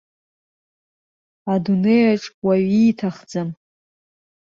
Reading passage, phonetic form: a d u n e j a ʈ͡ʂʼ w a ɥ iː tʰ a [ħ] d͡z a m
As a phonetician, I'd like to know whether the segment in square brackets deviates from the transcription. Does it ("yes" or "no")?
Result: yes